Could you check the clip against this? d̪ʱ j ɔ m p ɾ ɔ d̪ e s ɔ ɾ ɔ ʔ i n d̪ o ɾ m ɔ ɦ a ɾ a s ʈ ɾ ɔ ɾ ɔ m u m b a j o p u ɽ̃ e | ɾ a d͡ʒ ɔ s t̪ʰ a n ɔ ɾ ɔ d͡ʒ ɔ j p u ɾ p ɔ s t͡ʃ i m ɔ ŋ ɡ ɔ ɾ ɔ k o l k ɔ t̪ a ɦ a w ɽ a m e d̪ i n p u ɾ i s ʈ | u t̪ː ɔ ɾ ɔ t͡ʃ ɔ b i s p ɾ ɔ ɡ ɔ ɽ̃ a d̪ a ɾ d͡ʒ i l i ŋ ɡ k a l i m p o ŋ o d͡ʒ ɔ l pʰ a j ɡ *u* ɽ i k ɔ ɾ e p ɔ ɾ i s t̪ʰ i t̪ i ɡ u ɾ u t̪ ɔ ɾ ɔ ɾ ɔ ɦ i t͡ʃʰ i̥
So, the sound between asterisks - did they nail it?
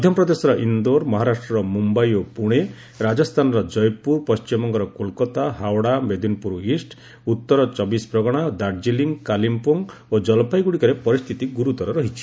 yes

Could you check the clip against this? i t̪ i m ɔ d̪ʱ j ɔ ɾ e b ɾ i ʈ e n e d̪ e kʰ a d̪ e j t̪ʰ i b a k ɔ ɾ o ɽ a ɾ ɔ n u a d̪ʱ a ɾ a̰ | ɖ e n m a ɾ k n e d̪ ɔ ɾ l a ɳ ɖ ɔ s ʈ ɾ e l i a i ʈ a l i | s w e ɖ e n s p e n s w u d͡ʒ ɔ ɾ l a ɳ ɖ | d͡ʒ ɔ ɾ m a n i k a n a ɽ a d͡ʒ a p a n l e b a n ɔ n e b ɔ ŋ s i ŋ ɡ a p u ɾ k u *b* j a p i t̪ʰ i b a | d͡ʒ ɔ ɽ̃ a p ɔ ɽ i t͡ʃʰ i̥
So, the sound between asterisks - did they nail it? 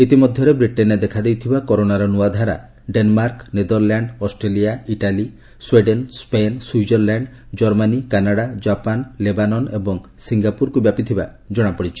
yes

